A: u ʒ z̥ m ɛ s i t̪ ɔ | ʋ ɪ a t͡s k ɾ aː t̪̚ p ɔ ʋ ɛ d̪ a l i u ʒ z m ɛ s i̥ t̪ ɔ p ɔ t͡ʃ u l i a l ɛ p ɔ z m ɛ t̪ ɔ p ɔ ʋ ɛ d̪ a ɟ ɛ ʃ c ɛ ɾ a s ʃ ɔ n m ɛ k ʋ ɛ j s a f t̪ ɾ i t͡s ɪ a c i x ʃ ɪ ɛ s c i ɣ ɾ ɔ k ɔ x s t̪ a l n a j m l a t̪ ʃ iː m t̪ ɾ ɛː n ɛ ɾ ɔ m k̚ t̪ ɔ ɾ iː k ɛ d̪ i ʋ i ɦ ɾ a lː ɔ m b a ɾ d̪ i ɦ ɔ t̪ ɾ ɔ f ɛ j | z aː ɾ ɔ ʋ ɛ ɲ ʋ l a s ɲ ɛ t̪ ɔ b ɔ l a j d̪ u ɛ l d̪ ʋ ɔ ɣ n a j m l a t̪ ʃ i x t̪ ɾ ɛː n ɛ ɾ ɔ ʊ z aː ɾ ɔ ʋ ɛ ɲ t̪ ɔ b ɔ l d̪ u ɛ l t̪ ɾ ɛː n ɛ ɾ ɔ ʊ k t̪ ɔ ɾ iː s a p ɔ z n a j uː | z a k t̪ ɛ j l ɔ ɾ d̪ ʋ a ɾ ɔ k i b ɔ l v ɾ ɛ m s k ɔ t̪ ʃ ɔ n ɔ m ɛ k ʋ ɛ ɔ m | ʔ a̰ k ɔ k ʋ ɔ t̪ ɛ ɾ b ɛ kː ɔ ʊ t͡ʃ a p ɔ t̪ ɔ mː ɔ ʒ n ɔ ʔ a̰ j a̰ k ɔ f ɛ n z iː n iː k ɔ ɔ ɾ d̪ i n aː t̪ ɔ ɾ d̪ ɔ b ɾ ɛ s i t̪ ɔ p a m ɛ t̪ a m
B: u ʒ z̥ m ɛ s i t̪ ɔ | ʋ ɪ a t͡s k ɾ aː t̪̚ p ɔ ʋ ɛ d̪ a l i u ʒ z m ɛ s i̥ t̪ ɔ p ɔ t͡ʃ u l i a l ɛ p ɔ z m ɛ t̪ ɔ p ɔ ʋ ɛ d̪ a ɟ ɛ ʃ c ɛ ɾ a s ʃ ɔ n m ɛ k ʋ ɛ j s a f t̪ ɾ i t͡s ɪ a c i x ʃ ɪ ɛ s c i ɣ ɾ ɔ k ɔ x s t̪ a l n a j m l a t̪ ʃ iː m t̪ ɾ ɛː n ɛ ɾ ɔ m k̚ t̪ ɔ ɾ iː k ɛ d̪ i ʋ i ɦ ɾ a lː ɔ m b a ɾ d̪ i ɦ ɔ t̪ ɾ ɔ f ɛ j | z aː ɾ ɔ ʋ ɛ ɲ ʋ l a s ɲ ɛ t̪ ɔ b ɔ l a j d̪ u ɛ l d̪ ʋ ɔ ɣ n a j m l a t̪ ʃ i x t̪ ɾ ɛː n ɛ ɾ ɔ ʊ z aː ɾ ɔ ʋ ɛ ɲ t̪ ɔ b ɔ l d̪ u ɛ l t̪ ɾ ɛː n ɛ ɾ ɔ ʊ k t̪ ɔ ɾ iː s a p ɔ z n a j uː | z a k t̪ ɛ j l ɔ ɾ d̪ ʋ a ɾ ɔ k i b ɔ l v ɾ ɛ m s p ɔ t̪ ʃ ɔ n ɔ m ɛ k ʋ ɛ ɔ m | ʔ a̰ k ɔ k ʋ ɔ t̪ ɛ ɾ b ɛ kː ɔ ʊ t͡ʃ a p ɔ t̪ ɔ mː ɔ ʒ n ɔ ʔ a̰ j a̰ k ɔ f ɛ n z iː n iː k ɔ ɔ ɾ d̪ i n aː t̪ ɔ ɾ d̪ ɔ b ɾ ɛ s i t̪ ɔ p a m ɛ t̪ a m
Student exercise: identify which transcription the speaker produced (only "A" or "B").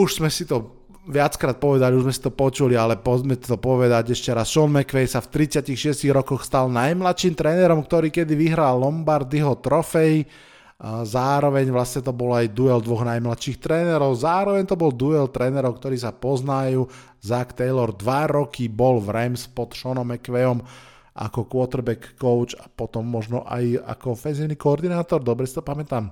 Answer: B